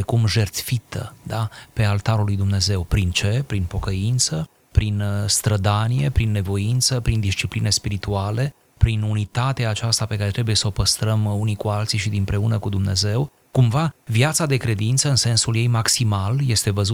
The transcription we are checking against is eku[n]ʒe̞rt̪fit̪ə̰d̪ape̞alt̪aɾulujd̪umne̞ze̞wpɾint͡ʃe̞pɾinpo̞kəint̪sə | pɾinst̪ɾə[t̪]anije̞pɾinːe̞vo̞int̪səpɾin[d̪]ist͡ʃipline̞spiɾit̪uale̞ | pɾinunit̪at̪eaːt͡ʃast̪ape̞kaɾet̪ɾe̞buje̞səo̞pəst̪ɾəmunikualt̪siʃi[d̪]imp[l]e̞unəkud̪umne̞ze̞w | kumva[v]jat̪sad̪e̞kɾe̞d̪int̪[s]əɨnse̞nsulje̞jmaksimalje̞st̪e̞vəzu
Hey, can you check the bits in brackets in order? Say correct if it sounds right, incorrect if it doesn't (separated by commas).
incorrect, incorrect, correct, correct, incorrect, correct, correct